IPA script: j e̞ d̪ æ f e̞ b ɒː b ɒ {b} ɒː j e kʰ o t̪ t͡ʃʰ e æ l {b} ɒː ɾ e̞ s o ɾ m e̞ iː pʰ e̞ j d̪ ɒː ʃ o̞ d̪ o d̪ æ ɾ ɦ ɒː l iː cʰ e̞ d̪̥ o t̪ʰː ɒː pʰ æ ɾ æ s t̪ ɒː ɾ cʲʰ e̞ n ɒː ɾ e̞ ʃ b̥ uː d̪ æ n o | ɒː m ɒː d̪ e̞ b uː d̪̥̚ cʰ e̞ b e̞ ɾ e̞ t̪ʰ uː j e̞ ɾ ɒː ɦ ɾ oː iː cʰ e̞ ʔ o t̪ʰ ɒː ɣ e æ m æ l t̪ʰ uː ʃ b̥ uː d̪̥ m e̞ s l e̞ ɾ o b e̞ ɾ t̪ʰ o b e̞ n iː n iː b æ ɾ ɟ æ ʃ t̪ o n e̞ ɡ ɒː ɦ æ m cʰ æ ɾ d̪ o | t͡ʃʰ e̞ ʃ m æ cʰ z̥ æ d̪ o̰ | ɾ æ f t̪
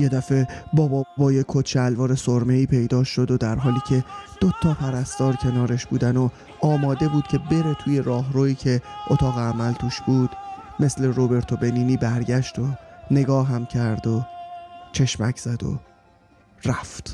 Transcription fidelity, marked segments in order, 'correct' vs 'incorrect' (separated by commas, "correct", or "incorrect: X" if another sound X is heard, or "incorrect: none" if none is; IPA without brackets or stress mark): correct, incorrect: v